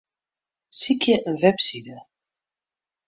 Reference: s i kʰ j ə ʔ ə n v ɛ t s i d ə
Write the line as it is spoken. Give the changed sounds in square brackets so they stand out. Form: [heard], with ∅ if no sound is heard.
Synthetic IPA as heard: s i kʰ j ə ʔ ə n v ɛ [p] s i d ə